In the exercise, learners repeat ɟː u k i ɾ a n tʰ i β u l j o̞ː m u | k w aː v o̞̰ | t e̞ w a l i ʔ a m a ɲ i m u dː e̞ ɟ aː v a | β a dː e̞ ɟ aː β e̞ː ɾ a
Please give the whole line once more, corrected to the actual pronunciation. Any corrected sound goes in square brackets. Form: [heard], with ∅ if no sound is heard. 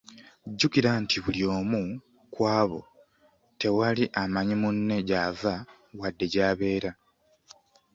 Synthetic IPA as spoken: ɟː u k i ɾ a n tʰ i β u l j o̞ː m u | k w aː [β] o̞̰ | t e̞ w a l i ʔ a m a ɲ i m u [nː] e̞ ɟ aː v a | [w] a dː e̞ ɟ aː β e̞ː ɾ a